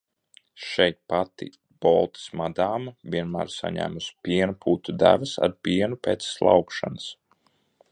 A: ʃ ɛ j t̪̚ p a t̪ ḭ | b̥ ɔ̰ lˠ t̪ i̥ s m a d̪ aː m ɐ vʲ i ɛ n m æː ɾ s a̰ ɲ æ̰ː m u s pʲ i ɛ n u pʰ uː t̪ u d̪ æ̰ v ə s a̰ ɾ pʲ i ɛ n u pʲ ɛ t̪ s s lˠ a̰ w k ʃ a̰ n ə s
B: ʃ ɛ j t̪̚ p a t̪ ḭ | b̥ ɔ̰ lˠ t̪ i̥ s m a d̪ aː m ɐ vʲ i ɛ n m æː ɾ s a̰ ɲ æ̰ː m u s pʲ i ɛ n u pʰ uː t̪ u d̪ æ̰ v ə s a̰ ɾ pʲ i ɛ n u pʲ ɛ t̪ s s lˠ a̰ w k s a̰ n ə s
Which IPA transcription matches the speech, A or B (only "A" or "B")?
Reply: A